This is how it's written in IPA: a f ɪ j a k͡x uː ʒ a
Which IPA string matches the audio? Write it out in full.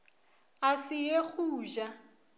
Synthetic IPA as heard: a s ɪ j e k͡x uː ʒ a